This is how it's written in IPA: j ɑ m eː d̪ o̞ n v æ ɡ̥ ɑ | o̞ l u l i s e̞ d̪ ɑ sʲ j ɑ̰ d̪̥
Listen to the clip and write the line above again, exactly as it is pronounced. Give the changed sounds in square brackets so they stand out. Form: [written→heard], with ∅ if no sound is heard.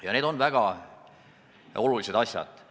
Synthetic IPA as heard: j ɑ [m→n] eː d̪ o̞ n v æ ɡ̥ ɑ | o̞ l u l i s e̞ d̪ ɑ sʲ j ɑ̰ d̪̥